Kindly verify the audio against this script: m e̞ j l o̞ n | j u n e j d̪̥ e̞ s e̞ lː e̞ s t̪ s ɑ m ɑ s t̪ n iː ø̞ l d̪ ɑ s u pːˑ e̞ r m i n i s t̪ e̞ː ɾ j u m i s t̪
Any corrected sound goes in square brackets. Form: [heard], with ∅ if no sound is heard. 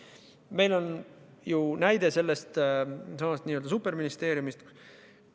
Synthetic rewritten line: m e̞ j l o̞ n | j u n [æ] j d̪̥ e̞ s e̞ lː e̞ s t̪ s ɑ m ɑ s t̪ n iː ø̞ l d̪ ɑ s u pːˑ e̞ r m i n i s t̪ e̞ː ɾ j u m i s t̪